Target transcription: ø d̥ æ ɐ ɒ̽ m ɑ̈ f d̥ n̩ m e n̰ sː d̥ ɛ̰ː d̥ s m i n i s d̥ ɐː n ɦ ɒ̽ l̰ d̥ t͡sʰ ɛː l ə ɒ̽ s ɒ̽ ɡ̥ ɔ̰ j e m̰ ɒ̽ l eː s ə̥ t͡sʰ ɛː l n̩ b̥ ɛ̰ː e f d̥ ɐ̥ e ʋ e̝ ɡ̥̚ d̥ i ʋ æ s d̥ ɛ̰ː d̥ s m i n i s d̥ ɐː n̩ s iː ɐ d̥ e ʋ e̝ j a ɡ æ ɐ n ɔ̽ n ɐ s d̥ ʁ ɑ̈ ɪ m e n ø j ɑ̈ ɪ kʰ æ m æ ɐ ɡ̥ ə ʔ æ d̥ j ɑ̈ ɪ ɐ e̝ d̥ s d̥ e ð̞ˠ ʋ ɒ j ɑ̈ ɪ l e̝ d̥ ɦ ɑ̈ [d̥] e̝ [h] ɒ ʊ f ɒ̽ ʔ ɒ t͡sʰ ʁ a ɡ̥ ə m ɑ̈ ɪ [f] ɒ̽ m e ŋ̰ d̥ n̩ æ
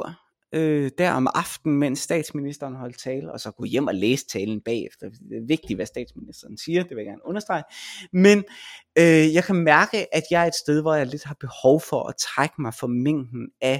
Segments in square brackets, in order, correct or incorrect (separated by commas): incorrect, correct, correct